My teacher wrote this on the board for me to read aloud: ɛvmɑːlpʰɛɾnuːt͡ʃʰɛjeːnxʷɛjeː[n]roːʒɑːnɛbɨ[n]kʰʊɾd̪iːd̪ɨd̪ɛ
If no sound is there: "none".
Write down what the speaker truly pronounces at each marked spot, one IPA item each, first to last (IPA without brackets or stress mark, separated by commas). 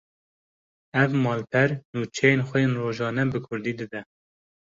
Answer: n, none